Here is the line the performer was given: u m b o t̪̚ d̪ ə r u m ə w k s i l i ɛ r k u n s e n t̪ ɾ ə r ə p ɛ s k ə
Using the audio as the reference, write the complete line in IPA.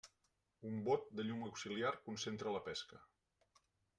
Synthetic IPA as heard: u m b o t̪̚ d̪ ə ʎ u m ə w k s i l i a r k u n s e n t̪ ɾ ə l ə p ɛ s k ə